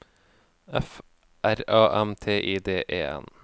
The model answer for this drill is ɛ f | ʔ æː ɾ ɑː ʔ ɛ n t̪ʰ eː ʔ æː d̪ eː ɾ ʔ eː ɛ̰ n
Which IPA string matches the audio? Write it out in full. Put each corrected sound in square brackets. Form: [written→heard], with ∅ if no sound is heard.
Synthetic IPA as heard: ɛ f | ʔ [æː→æ] ɾ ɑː ʔ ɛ [n→m] t̪ʰ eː ʔ [æː→iː] d̪ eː [ɾ→∅] ʔ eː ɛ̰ n